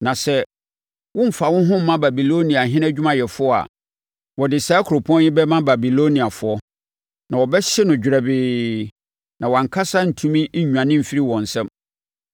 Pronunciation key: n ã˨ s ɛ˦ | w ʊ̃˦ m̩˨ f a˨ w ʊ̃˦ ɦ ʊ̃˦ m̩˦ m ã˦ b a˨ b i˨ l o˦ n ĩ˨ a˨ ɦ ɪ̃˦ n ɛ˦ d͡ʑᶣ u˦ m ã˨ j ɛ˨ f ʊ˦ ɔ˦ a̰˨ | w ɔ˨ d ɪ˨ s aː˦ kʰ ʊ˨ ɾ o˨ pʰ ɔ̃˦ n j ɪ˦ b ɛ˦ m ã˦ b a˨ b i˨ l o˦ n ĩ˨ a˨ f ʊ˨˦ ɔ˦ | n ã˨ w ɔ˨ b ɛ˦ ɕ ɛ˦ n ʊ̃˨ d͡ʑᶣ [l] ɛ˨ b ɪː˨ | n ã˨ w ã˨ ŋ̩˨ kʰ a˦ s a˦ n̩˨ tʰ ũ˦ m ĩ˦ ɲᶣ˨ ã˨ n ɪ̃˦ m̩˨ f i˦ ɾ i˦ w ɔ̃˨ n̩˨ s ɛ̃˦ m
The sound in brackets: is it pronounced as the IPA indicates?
no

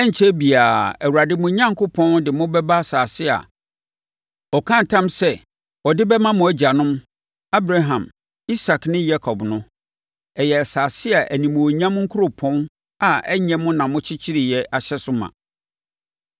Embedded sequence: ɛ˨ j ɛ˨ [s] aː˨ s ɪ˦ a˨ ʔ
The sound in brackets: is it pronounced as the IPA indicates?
yes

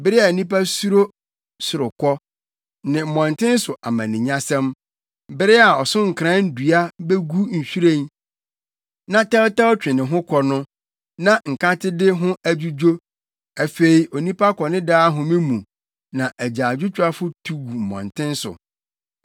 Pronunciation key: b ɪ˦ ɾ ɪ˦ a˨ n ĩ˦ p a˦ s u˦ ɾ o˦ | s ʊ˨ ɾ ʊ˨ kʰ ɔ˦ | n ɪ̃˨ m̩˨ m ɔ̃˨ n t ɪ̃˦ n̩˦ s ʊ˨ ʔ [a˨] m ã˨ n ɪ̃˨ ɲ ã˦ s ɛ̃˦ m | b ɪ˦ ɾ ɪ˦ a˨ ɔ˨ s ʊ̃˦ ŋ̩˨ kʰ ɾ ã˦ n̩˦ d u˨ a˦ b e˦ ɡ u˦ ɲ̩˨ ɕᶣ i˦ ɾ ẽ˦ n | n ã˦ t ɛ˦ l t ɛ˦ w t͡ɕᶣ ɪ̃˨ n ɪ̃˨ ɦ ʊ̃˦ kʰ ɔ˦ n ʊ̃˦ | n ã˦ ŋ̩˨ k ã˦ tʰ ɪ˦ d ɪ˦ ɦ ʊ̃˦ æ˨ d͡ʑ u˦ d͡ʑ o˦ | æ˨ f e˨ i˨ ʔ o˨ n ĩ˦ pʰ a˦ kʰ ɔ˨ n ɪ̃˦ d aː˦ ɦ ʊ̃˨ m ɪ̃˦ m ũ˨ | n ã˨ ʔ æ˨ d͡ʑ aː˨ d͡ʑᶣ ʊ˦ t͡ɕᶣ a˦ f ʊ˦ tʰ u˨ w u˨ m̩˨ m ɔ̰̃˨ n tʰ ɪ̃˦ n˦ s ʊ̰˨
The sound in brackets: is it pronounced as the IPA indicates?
yes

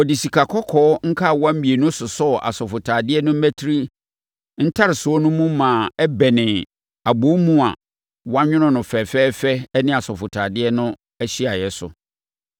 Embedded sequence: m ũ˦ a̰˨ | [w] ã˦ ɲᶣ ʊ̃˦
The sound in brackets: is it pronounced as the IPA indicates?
yes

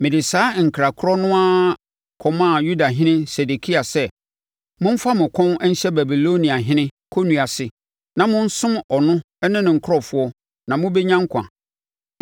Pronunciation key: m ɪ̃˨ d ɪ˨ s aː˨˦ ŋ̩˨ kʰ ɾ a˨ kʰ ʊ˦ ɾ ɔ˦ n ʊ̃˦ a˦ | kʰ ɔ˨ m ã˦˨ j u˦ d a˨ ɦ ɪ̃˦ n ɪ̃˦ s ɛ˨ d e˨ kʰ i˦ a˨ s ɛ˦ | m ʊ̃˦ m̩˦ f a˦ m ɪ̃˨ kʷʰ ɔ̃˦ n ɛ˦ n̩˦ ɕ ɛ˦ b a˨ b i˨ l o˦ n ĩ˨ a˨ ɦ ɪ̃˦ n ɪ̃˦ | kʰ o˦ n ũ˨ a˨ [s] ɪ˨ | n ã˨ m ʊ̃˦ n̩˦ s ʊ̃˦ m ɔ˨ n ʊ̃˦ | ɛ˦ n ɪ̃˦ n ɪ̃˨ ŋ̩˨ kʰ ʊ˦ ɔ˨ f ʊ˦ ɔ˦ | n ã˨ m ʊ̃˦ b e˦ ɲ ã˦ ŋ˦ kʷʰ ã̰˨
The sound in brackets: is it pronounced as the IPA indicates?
yes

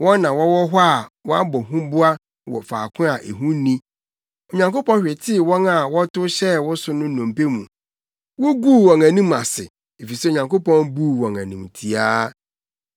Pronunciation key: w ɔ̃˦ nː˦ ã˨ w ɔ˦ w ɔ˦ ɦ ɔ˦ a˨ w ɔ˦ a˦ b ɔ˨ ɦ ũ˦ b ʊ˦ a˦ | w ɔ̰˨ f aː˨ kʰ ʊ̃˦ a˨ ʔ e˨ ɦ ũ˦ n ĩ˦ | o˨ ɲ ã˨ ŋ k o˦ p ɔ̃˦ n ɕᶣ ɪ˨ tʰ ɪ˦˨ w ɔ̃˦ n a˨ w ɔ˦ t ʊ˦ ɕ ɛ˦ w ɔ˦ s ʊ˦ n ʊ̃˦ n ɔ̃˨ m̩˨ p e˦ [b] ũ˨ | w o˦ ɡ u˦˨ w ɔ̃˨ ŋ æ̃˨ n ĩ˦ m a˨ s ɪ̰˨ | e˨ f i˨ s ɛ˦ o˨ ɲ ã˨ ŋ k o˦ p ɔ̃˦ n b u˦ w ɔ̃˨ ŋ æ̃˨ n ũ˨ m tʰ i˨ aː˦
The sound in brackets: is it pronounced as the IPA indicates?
no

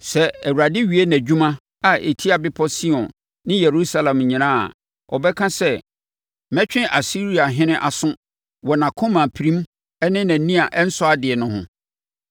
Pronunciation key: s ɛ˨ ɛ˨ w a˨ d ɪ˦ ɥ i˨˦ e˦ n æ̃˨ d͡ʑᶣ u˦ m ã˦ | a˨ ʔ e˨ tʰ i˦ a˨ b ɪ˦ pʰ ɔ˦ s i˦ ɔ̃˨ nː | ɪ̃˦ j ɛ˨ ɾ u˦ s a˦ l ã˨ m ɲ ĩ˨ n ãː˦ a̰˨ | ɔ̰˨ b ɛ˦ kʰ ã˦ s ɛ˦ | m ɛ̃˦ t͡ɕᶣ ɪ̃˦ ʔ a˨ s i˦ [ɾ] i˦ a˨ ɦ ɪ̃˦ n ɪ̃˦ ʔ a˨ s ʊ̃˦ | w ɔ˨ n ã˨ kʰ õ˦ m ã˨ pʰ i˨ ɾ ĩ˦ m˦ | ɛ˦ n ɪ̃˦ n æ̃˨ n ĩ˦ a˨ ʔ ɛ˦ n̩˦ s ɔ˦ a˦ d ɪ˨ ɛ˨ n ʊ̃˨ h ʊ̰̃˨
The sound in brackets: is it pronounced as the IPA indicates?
yes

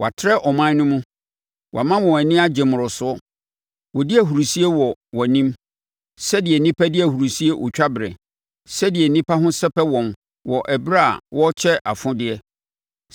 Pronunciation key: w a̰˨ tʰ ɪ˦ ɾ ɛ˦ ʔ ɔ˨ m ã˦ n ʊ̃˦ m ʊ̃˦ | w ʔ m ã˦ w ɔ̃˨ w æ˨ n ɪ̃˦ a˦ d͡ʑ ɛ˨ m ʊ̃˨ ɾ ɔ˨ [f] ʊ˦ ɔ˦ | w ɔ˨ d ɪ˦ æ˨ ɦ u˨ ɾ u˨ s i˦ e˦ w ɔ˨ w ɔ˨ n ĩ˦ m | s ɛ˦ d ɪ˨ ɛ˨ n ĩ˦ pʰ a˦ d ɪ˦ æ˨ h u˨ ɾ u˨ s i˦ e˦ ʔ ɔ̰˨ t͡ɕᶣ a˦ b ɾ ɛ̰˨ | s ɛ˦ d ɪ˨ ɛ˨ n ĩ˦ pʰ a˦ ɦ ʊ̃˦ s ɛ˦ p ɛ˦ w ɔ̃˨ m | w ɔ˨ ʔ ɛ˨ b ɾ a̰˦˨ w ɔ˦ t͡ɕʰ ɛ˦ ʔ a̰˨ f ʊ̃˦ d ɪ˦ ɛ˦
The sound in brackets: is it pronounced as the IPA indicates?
no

